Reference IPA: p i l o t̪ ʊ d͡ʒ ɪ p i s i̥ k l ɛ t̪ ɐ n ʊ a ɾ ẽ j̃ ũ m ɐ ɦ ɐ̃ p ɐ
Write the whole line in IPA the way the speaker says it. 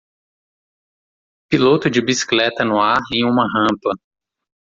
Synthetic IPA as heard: p i l o t̪ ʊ d͡ʒ ɪ b i s i̥ k l ɛ t̪ ɐ n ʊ a ɾ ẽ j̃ ũ m ɐ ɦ ɐ̃ p ɐ